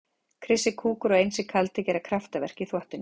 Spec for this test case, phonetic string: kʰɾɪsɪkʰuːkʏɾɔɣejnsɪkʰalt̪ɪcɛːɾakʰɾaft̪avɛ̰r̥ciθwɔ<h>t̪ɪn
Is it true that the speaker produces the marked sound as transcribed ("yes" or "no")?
yes